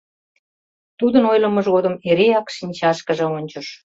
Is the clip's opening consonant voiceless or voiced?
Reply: voiceless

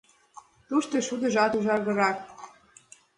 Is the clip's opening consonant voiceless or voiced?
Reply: voiceless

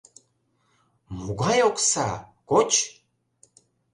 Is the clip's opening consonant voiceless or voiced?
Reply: voiced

